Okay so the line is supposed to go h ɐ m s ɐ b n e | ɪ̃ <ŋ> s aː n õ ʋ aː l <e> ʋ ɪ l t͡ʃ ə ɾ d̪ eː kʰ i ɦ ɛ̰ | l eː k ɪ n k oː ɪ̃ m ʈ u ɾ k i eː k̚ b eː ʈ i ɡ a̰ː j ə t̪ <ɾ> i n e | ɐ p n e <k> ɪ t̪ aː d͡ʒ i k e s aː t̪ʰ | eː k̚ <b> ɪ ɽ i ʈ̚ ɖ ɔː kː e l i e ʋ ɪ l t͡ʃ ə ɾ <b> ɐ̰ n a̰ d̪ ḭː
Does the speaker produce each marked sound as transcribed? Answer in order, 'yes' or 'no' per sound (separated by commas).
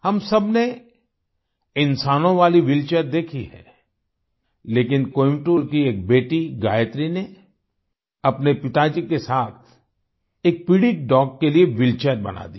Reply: no, no, yes, no, no, yes